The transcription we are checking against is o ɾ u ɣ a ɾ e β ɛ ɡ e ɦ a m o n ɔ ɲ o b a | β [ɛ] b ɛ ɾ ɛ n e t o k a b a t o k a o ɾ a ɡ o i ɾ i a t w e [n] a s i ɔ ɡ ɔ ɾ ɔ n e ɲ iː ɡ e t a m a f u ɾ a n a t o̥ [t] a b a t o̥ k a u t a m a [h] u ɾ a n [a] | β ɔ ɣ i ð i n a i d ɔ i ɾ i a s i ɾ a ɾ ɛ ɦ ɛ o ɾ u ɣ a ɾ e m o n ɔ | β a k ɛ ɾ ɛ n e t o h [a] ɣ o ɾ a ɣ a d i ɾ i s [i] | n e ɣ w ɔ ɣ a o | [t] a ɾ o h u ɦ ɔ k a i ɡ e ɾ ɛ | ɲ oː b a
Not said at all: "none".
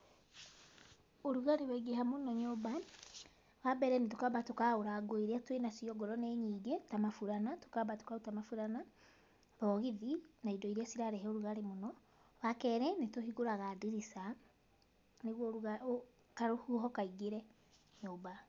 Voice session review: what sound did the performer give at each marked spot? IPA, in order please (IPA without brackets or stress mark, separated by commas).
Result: a, n, k, f, a, i, a, k